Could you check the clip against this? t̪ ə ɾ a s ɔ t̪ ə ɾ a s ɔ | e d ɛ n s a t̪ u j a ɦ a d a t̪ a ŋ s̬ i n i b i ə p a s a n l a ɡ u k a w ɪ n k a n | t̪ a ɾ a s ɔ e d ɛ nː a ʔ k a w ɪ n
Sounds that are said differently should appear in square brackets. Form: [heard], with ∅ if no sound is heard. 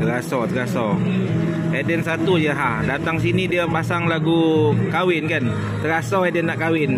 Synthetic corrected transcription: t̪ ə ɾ a s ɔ t̪ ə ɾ a s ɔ | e d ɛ n s a t̪ u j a ɦ a d a t̪ a ŋ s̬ i n i [d] i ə p a s a [ŋ] l a ɡ u k a w ɪ n k a n | t̪ [ə] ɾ a s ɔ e d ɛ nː a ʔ k a w ɪ n